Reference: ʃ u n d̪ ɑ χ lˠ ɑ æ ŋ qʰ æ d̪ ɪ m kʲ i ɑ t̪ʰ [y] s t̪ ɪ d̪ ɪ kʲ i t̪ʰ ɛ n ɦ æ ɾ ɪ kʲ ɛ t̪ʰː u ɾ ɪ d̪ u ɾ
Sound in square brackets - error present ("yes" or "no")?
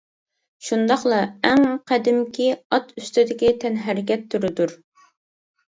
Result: no